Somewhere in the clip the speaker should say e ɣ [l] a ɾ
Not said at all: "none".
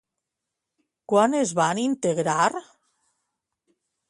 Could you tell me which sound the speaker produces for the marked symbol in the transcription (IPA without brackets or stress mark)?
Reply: ɾ